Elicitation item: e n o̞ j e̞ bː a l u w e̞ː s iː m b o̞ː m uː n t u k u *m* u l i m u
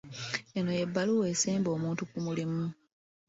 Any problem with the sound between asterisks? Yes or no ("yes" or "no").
no